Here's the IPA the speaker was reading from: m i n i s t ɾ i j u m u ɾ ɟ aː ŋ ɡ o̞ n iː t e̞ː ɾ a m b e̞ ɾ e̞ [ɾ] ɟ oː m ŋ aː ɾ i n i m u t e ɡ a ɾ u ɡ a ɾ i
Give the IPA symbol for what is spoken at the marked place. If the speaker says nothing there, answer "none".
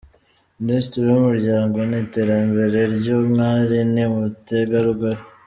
ɾ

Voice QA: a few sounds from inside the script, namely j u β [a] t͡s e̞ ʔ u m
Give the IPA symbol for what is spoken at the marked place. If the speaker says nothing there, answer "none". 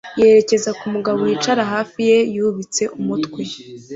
i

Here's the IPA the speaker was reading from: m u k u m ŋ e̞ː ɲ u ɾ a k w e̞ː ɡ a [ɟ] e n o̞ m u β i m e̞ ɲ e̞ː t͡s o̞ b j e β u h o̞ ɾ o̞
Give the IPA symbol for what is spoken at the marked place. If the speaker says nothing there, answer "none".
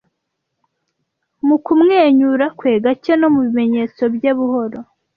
c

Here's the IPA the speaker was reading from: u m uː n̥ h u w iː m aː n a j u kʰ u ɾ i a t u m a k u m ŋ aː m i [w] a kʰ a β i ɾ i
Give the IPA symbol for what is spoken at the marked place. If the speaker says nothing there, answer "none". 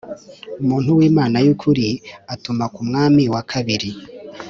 w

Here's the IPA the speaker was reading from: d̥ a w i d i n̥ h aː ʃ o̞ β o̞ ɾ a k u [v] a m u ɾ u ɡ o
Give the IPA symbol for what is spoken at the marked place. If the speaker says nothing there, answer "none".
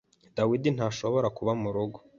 β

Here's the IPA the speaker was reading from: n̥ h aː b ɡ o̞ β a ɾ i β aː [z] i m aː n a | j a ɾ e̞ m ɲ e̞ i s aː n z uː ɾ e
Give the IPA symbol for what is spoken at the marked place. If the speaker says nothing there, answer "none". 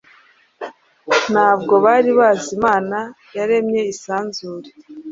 z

